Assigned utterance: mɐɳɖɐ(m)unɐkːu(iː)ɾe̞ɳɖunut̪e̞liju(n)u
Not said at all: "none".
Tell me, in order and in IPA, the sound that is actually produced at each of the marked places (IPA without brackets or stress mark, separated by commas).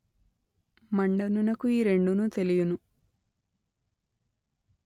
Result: n, iː, n